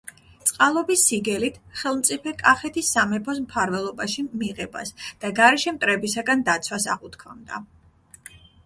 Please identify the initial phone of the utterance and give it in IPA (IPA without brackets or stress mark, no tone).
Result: t̪